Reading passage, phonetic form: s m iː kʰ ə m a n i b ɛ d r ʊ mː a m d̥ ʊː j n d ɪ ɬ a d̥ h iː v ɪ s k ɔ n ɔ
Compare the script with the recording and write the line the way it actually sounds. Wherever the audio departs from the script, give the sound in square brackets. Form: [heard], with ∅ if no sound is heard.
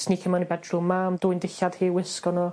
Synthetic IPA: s [n] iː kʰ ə m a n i b ɛ d r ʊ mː a m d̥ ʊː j n d ɪ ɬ a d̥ h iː [w] ɪ s k ɔ n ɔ